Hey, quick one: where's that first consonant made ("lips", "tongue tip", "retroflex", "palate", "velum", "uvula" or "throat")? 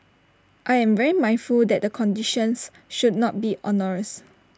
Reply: throat